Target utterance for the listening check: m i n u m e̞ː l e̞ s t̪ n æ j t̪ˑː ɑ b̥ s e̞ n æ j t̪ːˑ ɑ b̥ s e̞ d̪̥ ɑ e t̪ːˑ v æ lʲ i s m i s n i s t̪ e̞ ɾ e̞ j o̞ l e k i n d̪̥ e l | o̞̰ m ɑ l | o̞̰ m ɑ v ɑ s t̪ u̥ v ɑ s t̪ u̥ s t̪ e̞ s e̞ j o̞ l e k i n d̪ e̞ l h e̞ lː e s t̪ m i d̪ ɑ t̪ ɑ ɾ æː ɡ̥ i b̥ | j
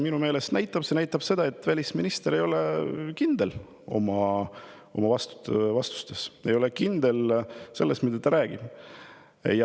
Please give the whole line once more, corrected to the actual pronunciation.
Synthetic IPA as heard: m i n u m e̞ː l e̞ s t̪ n æ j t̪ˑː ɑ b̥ s e̞ n æ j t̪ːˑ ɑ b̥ s e̞ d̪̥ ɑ e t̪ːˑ v æ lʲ i s m i n i s t̪ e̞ ɾ e̞ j o̞ l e k i n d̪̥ e l | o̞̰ m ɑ | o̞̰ m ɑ v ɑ s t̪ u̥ v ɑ s t̪ u̥ s t̪ e̞ s e̞ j o̞ l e k i n d̪ e̞ l s e̞ lː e s t̪ m i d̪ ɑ t̪ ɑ ɾ æː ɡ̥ i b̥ | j